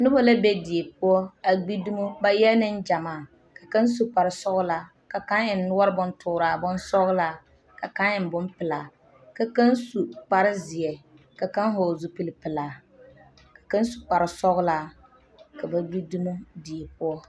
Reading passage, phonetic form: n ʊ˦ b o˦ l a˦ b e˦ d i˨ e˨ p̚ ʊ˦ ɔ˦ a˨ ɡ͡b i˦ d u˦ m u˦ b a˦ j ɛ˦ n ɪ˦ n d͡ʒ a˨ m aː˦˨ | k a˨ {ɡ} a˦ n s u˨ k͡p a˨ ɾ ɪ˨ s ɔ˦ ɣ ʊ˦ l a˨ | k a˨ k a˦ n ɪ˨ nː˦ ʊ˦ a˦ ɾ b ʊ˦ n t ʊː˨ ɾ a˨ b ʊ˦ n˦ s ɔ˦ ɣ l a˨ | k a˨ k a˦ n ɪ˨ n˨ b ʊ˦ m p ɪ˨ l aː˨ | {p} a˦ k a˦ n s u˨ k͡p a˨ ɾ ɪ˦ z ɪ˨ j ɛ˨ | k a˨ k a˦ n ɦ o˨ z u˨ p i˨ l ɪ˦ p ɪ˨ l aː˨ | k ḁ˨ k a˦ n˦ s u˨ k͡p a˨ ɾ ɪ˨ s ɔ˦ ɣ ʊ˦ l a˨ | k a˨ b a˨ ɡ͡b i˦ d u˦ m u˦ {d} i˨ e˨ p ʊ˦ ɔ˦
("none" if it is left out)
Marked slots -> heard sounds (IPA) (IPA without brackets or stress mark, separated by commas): k, k, d